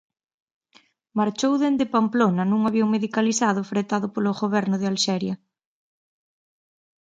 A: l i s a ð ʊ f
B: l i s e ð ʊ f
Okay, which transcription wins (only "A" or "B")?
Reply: A